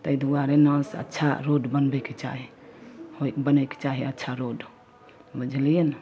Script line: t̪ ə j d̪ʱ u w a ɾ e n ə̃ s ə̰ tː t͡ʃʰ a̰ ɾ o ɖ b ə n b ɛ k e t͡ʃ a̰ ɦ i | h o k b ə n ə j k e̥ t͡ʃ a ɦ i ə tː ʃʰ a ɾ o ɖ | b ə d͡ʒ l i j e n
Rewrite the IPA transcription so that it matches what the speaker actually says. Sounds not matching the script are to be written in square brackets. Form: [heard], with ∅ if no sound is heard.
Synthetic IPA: t̪ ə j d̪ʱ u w a ɾ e n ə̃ s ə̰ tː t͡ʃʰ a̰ ɾ o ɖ b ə n b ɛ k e t͡ʃ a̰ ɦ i | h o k b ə n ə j k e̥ t͡ʃ a ɦ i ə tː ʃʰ a ɾ o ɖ | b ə d͡ʒ l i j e n